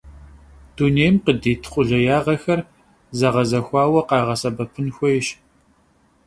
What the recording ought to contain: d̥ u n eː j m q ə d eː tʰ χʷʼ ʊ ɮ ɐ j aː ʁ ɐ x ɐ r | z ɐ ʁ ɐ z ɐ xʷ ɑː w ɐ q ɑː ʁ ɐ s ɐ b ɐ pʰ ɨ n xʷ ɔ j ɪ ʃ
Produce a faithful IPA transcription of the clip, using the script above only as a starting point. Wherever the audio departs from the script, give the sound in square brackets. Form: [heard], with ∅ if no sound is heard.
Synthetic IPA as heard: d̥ u n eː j m q ə d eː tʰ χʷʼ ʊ ɮ ɐ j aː ʁ ɐ x ɐ r | z ɐ ʁ ɐ z ɐ xʷ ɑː w ɐ q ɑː ʁ ɐ s ɐ b ɐ pʰ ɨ n xʷ ɔ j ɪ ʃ